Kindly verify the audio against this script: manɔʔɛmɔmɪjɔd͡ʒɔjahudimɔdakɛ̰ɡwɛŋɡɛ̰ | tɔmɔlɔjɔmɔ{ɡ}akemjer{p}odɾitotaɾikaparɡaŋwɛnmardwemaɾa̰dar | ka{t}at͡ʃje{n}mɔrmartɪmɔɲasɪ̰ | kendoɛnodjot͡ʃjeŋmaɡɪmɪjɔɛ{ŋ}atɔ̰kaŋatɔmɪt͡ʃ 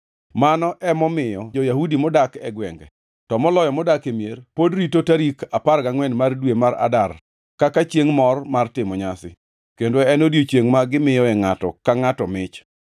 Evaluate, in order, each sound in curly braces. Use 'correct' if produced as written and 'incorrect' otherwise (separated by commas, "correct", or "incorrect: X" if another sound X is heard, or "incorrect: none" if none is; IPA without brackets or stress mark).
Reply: incorrect: d, correct, incorrect: k, incorrect: ŋ, correct